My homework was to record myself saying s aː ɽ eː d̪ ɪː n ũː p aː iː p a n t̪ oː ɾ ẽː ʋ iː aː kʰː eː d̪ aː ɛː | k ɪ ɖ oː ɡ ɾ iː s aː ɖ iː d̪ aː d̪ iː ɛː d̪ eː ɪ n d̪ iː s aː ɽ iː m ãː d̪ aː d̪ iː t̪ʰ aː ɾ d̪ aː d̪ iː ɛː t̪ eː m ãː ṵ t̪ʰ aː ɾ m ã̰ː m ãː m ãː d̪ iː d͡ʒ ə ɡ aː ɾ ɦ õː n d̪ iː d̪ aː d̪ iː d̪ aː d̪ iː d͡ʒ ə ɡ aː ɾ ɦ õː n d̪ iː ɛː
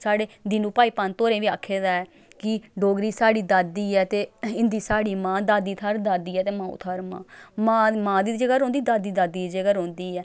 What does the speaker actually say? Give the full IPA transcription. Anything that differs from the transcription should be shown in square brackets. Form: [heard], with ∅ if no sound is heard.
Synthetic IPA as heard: s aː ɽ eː d̪ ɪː n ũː p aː iː p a n t̪ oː ɾ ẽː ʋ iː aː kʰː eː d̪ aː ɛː | k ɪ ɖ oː ɡ ɾ iː s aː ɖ iː d̪ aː d̪ iː ɛː [t̪] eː ɪ n d̪ iː s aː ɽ iː m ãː d̪ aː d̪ iː t̪ʰ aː ɾ d̪ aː d̪ iː ɛː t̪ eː m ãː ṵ t̪ʰ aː ɾ m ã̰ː m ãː m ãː d̪ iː d͡ʒ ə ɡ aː ɾ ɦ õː n d̪ iː d̪ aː d̪ iː d̪ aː d̪ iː d͡ʒ ə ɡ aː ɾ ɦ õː n d̪ iː ɛː

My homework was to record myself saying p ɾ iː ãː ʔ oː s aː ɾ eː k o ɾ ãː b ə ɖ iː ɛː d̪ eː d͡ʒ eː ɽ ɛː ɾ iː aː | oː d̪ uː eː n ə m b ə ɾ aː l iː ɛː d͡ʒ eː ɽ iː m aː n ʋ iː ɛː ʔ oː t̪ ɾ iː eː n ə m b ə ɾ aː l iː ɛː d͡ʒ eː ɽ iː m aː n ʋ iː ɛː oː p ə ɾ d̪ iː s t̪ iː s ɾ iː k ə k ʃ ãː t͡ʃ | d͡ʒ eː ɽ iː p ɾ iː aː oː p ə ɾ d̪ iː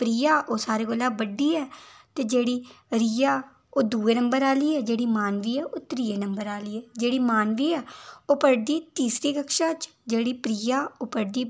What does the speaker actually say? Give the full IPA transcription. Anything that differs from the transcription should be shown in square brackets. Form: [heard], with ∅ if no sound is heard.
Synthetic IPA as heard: p ɾ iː [aː] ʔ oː s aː ɾ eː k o [l] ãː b ə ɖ iː ɛː [t̪] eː d͡ʒ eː ɽ [iː] ɾ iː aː | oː d̪ uː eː n ə m b ə ɾ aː l iː ɛː d͡ʒ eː ɽ iː m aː n ʋ iː ɛː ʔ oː t̪ ɾ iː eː n ə m b ə ɾ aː l iː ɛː d͡ʒ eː ɽ iː m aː n ʋ iː ɛː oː p ə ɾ d̪ iː [∅] t̪ iː s ɾ iː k ə k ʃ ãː t͡ʃ | d͡ʒ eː ɽ iː p ɾ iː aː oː p ə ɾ d̪ iː

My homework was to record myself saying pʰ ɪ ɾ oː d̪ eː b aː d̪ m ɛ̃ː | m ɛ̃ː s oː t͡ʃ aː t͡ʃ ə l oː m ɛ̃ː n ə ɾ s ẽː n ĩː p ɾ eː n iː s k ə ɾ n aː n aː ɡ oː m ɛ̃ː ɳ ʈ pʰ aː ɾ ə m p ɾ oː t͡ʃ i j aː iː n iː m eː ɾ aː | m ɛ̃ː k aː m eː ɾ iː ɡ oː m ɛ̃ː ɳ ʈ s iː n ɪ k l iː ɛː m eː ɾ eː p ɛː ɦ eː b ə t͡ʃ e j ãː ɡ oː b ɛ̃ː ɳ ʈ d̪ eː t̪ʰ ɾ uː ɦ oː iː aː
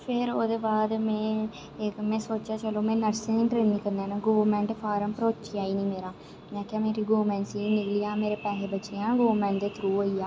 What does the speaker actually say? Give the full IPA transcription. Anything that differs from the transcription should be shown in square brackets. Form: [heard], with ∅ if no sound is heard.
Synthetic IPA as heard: pʰ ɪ ɾ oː d̪ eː b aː d̪ m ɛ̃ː | m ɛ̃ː s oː t͡ʃ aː t͡ʃ ə l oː m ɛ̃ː n ə ɾ s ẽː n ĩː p ɾ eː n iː [∅] k ə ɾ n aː n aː ɡ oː m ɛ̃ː ɳ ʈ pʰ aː ɾ ə m p ɾ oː t͡ʃ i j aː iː n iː m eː ɾ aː | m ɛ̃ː k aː m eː ɾ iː ɡ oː m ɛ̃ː ɳ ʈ s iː n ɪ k l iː [aː] m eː ɾ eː p ɛː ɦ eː b ə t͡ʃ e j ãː ɡ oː [m] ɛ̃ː ɳ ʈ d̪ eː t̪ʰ ɾ uː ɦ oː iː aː

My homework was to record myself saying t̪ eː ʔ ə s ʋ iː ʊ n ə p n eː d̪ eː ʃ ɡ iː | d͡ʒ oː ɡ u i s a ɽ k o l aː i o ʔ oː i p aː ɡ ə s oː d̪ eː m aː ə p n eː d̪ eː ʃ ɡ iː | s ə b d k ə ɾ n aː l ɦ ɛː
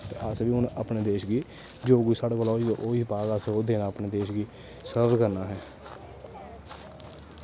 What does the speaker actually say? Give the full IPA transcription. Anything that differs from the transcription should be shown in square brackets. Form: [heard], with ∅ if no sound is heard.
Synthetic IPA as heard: t̪ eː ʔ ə s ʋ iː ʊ n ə p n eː d̪ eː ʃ ɡ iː | d͡ʒ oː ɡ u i s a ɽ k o l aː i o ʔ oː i p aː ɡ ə s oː d̪ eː [n] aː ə p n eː d̪ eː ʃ ɡ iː | s ə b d k ə ɾ n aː [∅] ɦ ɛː

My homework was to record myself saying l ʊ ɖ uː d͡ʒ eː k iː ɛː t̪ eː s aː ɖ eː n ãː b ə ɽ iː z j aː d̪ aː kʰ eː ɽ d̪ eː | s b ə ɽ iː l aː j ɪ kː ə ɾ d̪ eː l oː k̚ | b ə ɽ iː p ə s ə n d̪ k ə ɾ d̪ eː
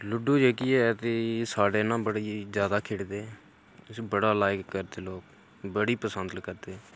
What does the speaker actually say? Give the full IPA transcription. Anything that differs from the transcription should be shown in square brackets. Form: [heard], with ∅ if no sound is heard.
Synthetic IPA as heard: l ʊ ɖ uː d͡ʒ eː k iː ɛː t̪ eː s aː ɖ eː n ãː b ə ɽ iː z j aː d̪ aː kʰ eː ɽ d̪ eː | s b ə ɽ [aː] l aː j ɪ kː ə ɾ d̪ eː l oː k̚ | b ə ɽ iː p ə s ə n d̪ k ə ɾ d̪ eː

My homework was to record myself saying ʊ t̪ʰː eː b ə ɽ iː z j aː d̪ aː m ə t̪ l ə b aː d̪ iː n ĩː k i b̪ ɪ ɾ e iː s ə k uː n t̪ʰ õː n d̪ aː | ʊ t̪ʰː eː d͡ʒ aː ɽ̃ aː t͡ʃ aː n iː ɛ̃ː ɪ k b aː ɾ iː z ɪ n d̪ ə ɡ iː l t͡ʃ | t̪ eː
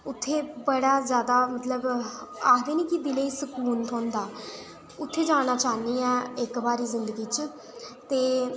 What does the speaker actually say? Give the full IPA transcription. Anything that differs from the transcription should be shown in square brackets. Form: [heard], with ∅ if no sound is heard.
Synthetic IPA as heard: ʊ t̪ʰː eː b ə ɽ [aː] z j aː d̪ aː m ə t̪ l ə b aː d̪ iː n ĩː k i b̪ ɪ [l] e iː s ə k uː n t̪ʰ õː n d̪ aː | ʊ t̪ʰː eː d͡ʒ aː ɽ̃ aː t͡ʃ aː n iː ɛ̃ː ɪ k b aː ɾ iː z ɪ n d̪ ə ɡ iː [∅] t͡ʃ | t̪ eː

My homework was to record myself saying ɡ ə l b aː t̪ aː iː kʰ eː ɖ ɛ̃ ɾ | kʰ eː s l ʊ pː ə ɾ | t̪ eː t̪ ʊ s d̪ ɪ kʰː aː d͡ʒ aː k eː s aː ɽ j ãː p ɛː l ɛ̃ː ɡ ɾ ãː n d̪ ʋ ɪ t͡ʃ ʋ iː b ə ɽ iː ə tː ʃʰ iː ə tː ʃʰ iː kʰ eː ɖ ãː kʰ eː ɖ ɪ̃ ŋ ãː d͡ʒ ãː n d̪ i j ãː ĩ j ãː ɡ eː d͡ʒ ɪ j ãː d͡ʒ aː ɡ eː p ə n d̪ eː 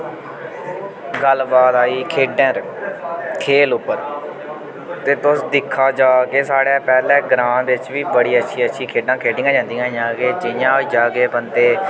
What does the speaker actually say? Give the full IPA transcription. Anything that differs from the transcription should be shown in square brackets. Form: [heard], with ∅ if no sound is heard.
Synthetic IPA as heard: ɡ ə l b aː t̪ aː iː kʰ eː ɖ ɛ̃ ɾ | kʰ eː [∅] l ʊ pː ə ɾ | t̪ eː t̪ ʊ s d̪ ɪ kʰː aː d͡ʒ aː k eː s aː ɽ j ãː p ɛː l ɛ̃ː ɡ ɾ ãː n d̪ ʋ ɪ t͡ʃ ʋ iː b ə ɽ iː ə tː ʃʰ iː ə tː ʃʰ iː kʰ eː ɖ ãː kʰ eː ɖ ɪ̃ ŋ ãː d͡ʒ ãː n d̪ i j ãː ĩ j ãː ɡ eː d͡ʒ ɪ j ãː d͡ʒ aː ɡ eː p ə n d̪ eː

